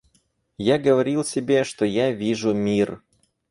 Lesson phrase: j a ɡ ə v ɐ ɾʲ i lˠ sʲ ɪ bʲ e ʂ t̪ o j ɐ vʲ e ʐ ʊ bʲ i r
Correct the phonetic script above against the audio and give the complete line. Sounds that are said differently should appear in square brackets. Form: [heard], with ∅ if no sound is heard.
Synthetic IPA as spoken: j a ɡ ə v ɐ ɾʲ i lˠ sʲ ɪ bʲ e ʂ t̪ o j [a] vʲ [i] ʐ ʊ [mʲ] i r